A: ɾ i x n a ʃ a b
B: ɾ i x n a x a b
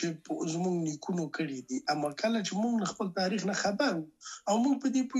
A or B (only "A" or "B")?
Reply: B